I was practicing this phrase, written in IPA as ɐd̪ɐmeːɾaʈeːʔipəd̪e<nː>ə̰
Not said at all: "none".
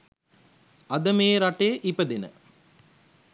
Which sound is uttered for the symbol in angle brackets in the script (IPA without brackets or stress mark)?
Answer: n